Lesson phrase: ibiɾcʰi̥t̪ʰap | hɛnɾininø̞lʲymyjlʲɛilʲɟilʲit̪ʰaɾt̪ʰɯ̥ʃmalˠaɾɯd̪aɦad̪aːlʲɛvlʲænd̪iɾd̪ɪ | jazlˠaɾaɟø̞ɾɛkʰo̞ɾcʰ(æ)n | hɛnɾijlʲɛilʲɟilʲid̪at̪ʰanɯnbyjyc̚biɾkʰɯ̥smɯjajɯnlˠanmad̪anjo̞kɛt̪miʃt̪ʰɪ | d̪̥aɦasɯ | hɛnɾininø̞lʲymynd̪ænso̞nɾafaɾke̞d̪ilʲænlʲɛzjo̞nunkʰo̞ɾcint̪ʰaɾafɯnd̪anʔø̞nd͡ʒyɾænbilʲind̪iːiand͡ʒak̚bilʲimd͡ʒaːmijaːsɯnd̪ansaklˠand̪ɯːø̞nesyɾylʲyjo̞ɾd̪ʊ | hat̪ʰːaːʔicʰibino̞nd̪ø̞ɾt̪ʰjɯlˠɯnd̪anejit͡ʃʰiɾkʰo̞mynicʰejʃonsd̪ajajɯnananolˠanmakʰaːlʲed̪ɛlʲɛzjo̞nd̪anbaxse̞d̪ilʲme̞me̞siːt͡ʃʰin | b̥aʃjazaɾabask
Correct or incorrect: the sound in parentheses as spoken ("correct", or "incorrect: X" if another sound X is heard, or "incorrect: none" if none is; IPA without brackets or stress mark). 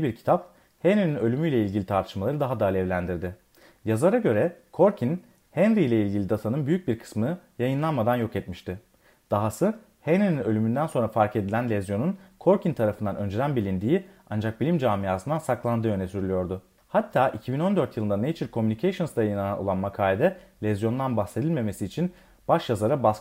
incorrect: i